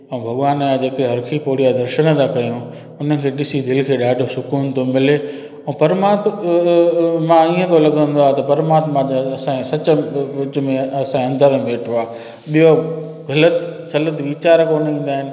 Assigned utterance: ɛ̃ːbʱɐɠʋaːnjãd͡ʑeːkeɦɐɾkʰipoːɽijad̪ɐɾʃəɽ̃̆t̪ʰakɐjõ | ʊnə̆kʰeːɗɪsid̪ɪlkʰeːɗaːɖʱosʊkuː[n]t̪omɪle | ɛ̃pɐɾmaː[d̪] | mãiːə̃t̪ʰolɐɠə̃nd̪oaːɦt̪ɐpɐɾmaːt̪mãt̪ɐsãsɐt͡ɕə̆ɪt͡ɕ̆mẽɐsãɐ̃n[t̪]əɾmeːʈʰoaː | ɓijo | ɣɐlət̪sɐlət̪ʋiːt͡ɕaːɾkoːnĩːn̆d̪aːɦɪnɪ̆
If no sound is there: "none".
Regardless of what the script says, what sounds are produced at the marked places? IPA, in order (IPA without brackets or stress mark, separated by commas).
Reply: n, t̪, d̪